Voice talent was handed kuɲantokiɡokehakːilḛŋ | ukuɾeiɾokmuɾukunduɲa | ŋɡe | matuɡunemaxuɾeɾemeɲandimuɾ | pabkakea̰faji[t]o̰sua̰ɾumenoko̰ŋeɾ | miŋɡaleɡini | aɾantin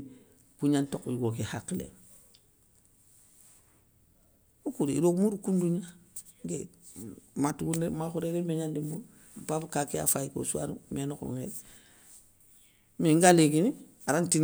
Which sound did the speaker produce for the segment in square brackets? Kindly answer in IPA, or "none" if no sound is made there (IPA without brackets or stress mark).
k